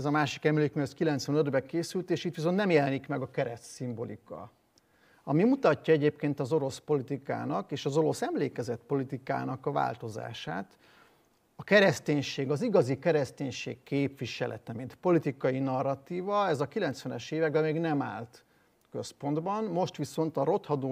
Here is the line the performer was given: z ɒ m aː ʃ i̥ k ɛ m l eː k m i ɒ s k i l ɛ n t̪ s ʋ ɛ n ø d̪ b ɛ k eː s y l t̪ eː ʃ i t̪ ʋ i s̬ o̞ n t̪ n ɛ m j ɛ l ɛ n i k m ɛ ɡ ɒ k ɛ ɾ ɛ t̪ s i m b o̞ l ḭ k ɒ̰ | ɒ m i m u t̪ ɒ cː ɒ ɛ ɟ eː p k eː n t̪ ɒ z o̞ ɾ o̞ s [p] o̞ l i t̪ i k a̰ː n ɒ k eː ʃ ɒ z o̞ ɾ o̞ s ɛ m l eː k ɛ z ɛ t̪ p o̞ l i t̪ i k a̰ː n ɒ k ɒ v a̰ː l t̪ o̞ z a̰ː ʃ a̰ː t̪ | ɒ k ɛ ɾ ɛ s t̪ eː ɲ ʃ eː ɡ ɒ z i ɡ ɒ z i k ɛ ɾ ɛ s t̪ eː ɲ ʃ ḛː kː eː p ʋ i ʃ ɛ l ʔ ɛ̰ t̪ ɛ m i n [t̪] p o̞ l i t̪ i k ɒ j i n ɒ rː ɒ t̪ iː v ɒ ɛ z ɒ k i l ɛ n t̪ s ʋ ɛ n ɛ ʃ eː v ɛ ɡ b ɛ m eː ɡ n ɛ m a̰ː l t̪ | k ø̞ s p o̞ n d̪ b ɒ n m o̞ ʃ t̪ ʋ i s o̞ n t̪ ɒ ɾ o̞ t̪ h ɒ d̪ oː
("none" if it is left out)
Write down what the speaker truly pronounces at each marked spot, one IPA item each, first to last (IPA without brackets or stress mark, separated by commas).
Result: p, t̪